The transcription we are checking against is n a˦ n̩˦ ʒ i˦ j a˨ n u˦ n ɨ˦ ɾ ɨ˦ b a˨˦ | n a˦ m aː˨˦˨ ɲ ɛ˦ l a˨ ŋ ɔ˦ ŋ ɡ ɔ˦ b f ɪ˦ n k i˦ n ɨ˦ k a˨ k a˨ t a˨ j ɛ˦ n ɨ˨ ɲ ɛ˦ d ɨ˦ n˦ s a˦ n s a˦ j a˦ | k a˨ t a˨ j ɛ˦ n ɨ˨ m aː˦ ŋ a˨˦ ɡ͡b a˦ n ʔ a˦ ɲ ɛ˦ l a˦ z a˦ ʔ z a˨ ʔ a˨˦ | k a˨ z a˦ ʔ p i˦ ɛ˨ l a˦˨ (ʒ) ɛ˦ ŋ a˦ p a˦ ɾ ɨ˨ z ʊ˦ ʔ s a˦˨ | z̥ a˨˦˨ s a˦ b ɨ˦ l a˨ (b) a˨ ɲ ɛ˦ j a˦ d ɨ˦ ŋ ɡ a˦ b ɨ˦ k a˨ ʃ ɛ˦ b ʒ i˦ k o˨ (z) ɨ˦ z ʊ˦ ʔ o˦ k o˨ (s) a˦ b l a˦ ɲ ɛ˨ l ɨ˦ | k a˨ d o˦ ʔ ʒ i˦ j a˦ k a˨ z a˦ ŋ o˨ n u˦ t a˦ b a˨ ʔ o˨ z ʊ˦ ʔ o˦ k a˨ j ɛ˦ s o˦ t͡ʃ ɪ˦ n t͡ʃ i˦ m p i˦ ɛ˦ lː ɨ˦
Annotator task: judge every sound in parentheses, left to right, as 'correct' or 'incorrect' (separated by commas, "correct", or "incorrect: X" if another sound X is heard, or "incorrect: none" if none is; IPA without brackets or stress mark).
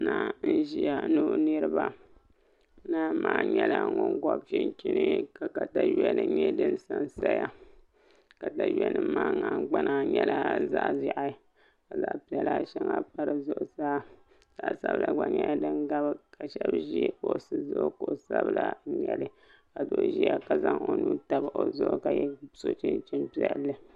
incorrect: ʃ, incorrect: ɡ͡b, incorrect: s, correct